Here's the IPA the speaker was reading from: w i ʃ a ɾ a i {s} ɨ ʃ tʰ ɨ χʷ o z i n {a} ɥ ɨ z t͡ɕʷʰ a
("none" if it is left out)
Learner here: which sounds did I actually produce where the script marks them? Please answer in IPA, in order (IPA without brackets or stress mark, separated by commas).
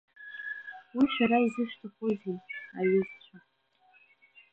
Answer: z, a